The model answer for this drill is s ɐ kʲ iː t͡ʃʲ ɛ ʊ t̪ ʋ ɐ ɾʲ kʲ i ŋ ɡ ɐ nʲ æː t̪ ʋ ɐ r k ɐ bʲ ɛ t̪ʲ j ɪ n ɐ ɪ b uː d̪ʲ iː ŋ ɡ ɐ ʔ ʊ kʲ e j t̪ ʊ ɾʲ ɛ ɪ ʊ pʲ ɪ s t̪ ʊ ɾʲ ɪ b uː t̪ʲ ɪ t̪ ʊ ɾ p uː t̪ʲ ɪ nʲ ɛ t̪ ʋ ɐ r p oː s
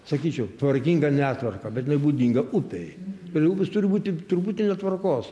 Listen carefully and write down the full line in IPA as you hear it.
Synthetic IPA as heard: s ɐ kʲ iː t͡ʃʲ ɛ ʊ t̪ ʋ ɐ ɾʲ kʲ i ŋ ɡ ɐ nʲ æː t̪ ʋ ɐ r k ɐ bʲ ɛ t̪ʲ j ɪ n ɐ ɪ b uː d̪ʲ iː ŋ ɡ ɐ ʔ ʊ pʲ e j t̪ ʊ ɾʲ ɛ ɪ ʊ pʲ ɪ s t̪ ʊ ɾʲ ɪ b uː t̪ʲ ɪ t̪ ʊ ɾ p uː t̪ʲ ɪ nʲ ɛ t̪ ʋ ɐ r k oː s

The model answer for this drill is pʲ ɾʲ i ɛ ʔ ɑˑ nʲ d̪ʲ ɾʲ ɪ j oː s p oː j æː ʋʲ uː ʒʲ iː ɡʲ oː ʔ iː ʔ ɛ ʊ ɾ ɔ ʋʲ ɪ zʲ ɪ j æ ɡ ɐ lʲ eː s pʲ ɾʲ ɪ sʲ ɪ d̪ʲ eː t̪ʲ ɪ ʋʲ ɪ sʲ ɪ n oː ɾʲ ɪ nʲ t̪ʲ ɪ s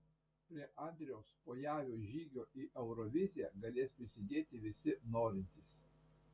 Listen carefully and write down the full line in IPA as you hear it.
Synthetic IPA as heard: pʲ ɾʲ i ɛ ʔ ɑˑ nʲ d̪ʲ ɾʲ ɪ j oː s p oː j æː ʋʲ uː ʒʲ iː ɡʲ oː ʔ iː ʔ ɛ ʊ ɾ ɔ ʋʲ ɪ zʲ ɪ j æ ɡ ɐ lʲ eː s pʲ ɾʲ ɪ sʲ ɪ d̪ʲ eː t̪ʲ ɪ ʋʲ ɪ sʲ ɪ n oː ɾʲ ɪ nʲ t̪ʲ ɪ s

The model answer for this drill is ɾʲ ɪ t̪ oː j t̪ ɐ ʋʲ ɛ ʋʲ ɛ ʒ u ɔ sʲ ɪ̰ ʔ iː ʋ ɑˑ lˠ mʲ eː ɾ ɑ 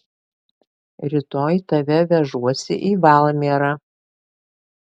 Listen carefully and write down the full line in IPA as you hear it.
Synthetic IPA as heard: ɾʲ ɪ t̪ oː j t̪ ɐ ʋʲ ɛ ʋʲ ɛ ʒ u ɔ sʲ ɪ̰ ʔ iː ʋ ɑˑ lˠ mʲ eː ɾ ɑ

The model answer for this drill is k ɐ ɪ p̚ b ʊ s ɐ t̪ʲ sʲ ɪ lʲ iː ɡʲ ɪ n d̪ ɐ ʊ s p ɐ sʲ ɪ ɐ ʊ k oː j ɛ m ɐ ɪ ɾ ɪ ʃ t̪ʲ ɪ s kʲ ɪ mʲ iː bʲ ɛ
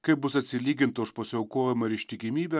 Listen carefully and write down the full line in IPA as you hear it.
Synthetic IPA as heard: k ɐ ɪ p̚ b ʊ s ɐ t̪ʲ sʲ ɪ lʲ iː ɡʲ ɪ n t̪ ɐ ʊ ʃ p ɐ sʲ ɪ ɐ ʊ k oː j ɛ m ɐ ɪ ɾ ɪ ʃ t̪ʲ ɪ kʲ ɪ mʲ iː bʲ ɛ

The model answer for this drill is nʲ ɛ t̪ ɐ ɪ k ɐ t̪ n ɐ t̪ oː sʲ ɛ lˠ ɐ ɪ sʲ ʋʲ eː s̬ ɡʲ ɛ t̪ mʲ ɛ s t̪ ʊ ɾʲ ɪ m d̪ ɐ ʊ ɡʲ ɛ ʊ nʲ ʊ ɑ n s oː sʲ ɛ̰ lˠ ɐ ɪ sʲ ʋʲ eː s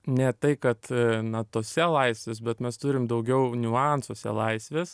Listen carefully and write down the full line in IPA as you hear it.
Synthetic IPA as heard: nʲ ɛ t̪ ɐ ɪ k ɐ t̪ n ɐ t̪ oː sʲ ɛ lˠ ɐ ɪ sʲ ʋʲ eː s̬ bʲ ɛ t̪ mʲ ɛ s t̪ ʊ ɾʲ ɪ m d̪ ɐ ʊ ɡʲ ɛ ʊ nʲ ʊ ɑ n s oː sʲ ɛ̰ lˠ ɐ ɪ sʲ ʋʲ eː s

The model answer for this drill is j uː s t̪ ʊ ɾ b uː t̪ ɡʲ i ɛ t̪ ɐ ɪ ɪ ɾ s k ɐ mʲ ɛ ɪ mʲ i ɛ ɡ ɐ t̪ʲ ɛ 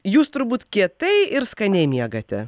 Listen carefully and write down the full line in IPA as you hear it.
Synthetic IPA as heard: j uː s t̪ ʊ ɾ b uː t̪ kʲ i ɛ t̪ ɐ ɪ ɪ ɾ s k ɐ nʲ ɛ ɪ mʲ i ɛ ɡ ɐ t̪ʲ ɛ

